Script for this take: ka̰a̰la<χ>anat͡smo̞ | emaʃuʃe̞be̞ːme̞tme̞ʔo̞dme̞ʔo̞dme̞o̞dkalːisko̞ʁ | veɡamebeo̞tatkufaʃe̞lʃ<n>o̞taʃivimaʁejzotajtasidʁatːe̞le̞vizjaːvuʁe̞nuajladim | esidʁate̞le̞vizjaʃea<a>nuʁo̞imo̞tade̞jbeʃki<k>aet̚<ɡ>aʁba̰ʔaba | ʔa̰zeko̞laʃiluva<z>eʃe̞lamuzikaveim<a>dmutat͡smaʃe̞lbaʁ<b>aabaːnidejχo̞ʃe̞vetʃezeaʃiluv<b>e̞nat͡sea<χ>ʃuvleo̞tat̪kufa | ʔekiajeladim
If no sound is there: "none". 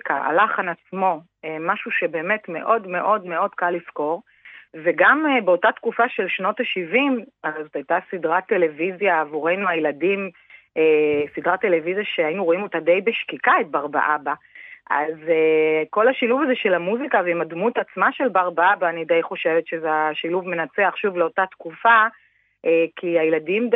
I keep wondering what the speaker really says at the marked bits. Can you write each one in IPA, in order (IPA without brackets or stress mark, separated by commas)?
χ, n, i, k, b, z, a, b, m, χ